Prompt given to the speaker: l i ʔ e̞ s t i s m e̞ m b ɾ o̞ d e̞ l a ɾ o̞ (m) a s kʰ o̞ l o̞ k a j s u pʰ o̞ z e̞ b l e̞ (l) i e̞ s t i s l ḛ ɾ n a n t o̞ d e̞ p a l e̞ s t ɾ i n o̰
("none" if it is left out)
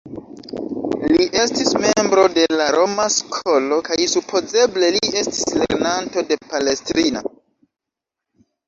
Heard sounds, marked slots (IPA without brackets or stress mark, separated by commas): m, l